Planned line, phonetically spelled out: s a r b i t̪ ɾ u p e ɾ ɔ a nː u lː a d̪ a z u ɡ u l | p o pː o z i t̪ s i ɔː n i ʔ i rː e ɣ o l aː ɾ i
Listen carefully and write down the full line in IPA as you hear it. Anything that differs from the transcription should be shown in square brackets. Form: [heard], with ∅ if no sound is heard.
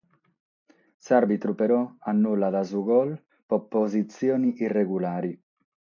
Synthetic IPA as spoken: s a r b i t̪ ɾ u p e ɾ ɔ a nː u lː a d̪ a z u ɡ [ɔ] l | p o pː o z i t̪ s [j] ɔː n i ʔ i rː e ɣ [u] l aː ɾ i